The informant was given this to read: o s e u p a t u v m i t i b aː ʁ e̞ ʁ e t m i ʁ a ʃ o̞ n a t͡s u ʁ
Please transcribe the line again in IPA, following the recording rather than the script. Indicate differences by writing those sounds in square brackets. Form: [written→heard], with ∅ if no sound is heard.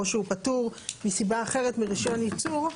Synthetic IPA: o [s→ʃ] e u p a t u [v→ʁ] m i [t→s] i b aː [ʁ→χ] e̞ ʁ e t m i ʁ [a→i] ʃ o̞ n [a→i] t͡s u ʁ

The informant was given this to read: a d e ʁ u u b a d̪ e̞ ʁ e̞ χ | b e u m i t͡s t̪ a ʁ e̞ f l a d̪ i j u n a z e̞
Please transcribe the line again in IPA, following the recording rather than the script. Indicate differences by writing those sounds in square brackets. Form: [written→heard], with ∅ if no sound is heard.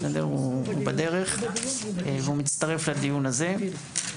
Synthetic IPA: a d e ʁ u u b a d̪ e̞ ʁ e̞ χ | [b→v] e u m i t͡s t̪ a ʁ e̞ f l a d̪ i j u n a z e̞

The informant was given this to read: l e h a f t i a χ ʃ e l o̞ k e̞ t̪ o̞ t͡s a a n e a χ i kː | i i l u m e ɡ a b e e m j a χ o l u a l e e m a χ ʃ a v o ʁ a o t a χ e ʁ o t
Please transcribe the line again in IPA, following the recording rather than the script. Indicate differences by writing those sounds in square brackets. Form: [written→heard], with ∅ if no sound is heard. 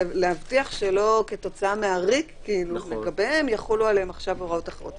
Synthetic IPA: l e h a [f→v] t i a χ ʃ e l o̞ k e̞ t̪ o̞ t͡s a a [n→m] e a [χ→ʁ] i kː | i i l u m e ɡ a b e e m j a χ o l u a l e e m a χ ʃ a v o ʁ a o t a χ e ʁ o t

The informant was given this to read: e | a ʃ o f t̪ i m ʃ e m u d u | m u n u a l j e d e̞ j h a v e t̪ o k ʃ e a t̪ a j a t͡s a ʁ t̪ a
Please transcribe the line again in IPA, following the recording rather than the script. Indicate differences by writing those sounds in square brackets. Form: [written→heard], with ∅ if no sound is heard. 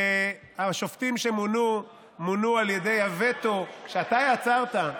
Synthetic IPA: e | a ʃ o f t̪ i m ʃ e m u [d→n] u | m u n u a l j e d e̞ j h a v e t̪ o k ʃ e a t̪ a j a t͡s a ʁ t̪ a

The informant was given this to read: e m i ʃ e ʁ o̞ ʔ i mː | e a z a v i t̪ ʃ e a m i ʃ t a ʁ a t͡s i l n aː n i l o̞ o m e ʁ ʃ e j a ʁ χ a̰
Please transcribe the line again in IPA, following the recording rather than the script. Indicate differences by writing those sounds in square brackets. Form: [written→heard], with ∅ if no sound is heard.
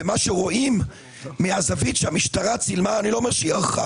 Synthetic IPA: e m [i→a] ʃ e ʁ o̞ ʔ i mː | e a z a v i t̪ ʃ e a m i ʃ t a ʁ a t͡s i l [n→m] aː n i l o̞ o m e ʁ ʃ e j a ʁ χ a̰

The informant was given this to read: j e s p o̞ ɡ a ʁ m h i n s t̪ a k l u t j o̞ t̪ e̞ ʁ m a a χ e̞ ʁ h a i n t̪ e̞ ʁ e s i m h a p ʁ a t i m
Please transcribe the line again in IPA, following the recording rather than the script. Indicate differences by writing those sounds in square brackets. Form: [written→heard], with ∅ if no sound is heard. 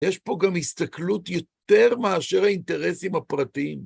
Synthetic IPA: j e [s→ʃ] p o̞ ɡ a [ʁ→∅] m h i [n→∅] s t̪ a k l u t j o̞ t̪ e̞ ʁ m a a [χ→ʃ] e̞ ʁ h a i n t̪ e̞ ʁ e s i m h a p ʁ a t i m

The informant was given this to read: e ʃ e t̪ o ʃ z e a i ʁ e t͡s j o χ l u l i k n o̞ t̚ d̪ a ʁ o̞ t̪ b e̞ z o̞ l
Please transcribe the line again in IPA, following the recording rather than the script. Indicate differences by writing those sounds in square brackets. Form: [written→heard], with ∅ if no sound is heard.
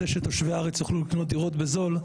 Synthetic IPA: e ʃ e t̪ o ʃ [z→v] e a [i→a] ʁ e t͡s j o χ l u l i k n o̞ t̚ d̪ [a→i] ʁ o̞ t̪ b e̞ z o̞ l

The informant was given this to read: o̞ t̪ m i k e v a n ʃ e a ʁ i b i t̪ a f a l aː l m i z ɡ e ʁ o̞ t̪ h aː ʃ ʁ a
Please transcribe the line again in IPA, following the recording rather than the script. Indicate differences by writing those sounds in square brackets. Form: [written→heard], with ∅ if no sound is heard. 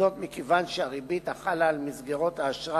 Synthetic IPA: o̞ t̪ m i k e v a n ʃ e a ʁ i b i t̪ a [f→χ] a l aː l m i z ɡ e ʁ o̞ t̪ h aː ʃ ʁ a

